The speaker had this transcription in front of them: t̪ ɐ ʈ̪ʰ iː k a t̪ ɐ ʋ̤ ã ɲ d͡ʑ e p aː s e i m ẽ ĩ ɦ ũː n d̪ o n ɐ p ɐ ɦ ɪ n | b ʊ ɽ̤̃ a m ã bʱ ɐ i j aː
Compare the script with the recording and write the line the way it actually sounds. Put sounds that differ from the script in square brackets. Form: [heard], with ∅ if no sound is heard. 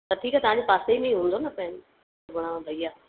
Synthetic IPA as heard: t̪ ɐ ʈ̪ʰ iː k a t̪ ɐ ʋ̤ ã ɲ d͡ʑ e p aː s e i m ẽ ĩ ɦ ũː n d̪ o n ɐ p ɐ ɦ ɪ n | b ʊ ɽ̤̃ a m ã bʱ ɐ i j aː